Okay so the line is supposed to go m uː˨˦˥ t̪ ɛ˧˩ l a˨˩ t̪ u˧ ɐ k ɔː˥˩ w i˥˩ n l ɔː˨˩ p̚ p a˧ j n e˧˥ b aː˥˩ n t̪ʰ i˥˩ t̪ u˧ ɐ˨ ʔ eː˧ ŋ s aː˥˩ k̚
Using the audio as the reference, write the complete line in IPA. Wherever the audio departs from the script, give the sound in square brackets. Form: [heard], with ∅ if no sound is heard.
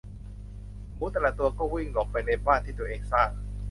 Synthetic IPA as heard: m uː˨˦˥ t̪ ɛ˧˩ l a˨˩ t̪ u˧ ɐ k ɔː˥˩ w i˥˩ [ŋ] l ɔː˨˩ [k̚] p a˧ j n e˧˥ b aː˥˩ n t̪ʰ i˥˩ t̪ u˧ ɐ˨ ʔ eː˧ ŋ s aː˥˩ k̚